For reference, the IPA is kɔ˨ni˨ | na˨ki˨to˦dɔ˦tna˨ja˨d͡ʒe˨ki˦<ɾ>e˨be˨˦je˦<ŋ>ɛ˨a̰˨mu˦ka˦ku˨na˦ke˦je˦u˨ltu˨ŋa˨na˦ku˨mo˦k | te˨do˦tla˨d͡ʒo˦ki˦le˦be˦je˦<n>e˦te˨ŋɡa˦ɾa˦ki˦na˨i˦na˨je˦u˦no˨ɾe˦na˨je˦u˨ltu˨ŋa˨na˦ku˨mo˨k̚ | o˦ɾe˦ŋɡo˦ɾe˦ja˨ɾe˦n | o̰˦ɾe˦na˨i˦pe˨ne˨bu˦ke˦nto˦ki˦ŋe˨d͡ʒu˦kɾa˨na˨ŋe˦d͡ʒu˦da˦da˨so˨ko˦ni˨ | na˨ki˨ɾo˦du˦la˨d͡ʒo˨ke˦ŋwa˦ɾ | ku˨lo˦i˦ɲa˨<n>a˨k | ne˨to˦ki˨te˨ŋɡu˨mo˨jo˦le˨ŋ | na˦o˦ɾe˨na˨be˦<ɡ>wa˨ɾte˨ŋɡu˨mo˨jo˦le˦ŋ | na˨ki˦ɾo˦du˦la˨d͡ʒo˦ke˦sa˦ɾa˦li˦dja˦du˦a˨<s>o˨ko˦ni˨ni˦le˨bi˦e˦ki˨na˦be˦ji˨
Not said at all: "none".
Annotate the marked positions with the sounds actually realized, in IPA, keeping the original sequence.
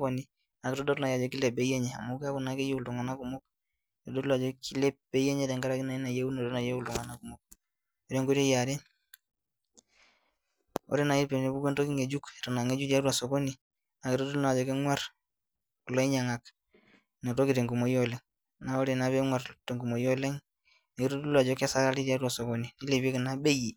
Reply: l, ɲ, ɲ, ŋ, ŋ, s

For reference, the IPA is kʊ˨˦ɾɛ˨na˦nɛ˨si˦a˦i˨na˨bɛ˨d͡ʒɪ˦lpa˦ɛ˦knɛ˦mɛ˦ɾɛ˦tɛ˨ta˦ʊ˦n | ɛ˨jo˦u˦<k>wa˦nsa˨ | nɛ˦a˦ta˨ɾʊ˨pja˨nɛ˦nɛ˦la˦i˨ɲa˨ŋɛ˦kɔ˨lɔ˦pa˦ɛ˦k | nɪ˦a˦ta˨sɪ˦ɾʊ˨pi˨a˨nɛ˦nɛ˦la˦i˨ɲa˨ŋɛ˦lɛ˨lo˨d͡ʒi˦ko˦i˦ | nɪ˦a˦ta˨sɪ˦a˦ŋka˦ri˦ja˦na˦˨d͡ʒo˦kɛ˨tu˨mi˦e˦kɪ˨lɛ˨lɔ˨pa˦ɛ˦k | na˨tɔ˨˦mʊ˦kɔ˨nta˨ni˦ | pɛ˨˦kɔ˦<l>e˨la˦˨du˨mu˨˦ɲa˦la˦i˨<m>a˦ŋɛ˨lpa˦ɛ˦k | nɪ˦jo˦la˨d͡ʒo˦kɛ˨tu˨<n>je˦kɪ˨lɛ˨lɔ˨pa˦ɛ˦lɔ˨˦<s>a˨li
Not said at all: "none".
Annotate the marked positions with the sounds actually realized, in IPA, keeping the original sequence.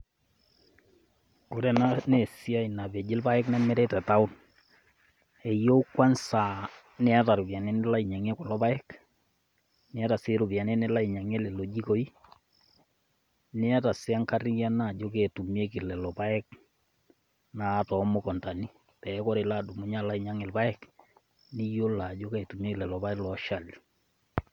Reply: k, ɾ, ɲ, m, ʃ

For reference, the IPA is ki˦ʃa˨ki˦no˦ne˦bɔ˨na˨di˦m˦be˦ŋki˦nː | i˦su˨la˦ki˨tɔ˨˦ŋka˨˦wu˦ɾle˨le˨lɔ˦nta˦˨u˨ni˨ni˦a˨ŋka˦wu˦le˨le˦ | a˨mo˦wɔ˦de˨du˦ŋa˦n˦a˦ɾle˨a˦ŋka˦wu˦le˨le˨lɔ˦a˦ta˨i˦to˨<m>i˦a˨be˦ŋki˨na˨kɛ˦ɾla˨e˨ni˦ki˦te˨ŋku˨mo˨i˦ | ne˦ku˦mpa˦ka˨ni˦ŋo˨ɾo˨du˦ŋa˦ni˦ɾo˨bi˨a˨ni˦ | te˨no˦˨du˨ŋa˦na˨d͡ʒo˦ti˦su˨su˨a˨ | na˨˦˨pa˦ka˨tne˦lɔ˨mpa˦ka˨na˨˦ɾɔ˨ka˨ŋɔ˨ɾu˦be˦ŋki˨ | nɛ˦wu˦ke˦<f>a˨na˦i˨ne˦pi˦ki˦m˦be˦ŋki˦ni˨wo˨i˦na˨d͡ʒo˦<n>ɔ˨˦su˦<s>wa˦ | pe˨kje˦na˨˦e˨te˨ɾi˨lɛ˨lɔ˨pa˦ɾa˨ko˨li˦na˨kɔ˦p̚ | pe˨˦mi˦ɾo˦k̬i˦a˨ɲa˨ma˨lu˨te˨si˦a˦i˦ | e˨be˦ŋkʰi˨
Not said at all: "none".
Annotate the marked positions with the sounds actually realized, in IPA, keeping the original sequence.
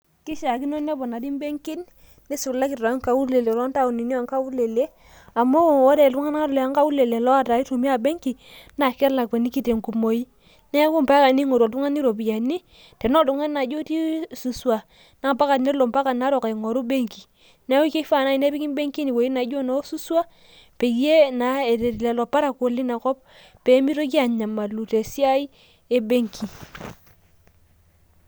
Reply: m, f, n, s

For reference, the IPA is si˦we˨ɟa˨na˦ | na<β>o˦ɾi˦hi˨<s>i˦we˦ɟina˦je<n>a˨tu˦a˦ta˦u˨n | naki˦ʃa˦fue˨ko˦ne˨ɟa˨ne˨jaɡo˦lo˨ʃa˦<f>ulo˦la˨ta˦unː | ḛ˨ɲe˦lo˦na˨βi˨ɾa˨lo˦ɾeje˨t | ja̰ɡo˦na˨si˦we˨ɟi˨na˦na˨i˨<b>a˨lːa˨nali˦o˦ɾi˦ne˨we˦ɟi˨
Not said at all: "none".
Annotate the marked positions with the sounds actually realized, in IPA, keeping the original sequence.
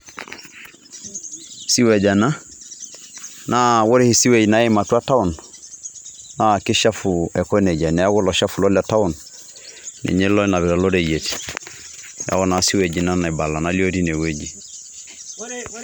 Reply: w, s, m, f, b

